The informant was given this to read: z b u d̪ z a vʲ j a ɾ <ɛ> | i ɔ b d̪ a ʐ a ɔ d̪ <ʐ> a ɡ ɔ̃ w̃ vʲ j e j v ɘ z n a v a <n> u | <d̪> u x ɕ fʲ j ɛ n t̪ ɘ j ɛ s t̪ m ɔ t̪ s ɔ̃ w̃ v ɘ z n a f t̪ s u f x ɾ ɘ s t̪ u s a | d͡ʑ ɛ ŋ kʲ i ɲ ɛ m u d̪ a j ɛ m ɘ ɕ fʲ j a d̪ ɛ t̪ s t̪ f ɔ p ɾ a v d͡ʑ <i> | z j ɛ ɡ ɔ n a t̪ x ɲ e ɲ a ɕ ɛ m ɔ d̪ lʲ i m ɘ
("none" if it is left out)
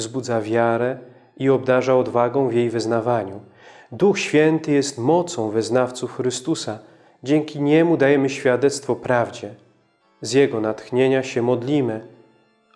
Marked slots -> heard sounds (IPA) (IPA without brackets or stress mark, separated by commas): ɛ, v, ɲ, d̪, ɛ